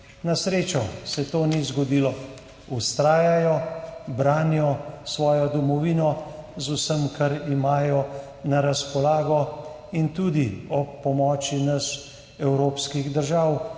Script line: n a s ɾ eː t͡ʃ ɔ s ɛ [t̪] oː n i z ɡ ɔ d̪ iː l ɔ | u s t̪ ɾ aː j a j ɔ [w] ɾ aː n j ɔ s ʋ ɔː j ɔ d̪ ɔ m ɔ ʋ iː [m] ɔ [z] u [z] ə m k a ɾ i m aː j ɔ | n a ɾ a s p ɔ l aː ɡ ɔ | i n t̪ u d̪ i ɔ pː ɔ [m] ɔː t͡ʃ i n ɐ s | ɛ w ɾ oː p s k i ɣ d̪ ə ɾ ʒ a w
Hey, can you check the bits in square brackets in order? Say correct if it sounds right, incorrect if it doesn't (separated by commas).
correct, incorrect, incorrect, correct, incorrect, correct